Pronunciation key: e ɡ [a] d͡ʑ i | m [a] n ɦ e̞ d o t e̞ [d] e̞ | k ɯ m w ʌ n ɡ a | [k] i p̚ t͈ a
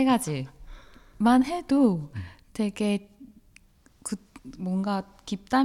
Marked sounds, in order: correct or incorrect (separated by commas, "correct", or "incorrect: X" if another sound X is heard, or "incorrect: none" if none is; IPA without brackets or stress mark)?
correct, correct, incorrect: ɡ, correct